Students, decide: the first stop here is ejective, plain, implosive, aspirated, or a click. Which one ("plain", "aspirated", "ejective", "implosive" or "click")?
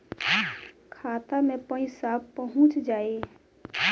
aspirated